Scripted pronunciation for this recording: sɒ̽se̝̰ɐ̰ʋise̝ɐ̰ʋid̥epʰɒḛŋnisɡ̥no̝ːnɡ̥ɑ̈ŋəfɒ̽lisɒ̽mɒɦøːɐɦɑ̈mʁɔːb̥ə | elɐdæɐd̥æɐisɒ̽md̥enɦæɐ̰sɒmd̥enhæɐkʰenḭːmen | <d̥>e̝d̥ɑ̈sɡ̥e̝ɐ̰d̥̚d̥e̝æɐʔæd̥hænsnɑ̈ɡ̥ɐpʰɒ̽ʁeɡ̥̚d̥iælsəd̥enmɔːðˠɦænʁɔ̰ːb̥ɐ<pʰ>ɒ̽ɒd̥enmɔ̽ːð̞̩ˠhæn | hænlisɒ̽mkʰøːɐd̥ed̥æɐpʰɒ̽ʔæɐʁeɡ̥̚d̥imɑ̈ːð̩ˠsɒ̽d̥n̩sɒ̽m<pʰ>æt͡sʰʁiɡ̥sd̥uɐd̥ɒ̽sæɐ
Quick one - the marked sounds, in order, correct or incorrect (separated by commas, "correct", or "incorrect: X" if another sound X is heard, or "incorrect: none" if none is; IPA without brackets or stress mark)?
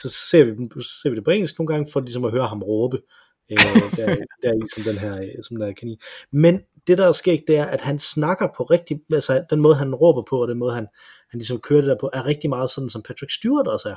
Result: correct, correct, correct